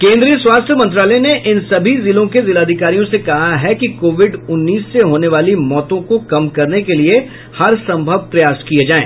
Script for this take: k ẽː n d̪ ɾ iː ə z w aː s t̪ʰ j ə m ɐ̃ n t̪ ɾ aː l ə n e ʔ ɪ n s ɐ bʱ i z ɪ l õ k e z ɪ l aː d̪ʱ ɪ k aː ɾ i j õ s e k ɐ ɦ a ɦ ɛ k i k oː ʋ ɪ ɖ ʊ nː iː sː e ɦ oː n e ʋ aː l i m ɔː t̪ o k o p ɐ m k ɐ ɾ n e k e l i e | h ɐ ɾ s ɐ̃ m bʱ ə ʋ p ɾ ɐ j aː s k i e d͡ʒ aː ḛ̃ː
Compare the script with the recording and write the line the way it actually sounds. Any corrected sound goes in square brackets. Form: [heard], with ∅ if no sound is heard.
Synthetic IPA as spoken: k ẽː n d̪ ɾ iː ə [s] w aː s t̪ʰ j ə m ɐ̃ n t̪ ɾ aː l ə n e ʔ ɪ n s ɐ bʱ i z ɪ l õ k e z ɪ l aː d̪ʱ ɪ k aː ɾ i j õ s e k ɐ ɦ a ɦ ɛ k i k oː ʋ ɪ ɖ ʊ nː iː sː e ɦ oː n e ʋ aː l i m ɔː t̪ [õ] k o [k] ɐ m k ɐ ɾ n e k e l i e | h ɐ ɾ s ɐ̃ m bʱ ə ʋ p ɾ ɐ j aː s k i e d͡ʒ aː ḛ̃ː